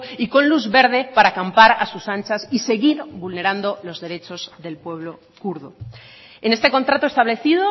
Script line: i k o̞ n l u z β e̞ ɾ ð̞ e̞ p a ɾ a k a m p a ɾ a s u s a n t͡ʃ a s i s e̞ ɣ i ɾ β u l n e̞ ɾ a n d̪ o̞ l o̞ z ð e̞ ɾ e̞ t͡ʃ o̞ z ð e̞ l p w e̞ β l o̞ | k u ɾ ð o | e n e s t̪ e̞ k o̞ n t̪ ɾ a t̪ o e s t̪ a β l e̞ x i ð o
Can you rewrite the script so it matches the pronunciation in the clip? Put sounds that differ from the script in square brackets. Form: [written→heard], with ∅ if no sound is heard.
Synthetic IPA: i k o̞ n l u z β e̞ ɾ ð̞ e̞ p a ɾ a k a m p a ɾ a s u s a n t͡ʃ a s i s e̞ ɣ i ɾ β u l n e̞ ɾ a n d̪ o̞ l o̞ z ð e̞ ɾ e̞ t͡ʃ o̞ z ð e̞ l p w e̞ β l o̞ | k u ɾ ð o | e n e s t̪ e̞ k o̞ n t̪ ɾ a t̪ o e s t̪ a β l e̞ [x→θ] i ð o